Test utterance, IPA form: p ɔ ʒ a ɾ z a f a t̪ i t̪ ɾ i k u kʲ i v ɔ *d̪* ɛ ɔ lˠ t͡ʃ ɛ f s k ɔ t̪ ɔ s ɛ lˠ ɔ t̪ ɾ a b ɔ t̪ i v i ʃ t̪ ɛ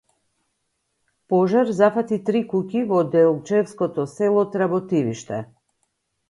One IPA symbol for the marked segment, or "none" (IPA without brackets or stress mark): d̪